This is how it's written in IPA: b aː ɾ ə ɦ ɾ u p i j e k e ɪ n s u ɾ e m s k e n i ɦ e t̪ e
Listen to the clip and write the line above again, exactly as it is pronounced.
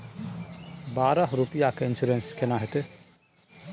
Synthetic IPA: b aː ɾ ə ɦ ɾ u p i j a k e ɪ n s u ɾ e n s k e n a ɦ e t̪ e